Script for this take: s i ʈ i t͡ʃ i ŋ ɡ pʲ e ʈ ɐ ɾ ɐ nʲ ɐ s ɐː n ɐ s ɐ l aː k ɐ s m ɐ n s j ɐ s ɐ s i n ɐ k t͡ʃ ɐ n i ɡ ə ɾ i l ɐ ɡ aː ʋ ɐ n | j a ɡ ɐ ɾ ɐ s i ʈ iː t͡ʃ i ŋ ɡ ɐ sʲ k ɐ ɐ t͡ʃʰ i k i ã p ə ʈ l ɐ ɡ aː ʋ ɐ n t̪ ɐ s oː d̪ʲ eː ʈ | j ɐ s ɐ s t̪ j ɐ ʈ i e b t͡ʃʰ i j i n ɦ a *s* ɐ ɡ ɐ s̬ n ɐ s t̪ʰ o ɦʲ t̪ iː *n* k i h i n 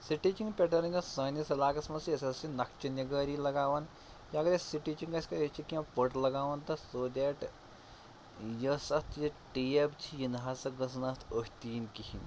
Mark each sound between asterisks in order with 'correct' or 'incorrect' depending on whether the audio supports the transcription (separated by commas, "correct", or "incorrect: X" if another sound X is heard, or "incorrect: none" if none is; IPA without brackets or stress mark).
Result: correct, correct